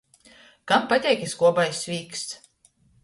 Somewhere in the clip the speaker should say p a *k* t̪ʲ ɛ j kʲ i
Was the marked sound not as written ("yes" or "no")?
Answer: yes